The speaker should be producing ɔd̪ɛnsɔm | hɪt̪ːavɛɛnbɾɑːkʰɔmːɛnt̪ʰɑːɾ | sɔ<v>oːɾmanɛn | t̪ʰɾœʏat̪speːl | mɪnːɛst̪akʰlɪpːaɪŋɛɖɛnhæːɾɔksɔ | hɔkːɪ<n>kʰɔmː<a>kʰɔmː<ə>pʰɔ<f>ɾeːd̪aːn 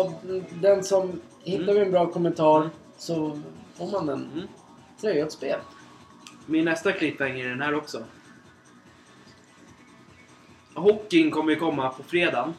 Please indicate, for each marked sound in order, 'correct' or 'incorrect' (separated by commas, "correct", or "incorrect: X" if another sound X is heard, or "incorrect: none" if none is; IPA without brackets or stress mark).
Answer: incorrect: f, incorrect: ŋ, incorrect: ə, incorrect: a, correct